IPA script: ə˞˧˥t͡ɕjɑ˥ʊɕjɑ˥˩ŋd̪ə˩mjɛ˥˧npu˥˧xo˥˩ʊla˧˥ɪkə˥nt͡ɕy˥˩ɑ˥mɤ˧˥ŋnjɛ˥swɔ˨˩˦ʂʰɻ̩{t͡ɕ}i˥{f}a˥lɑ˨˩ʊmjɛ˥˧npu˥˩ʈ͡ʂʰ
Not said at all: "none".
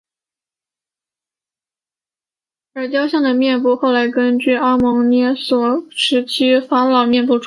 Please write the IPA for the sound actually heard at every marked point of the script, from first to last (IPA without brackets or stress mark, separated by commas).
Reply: t͡ɕʰ, f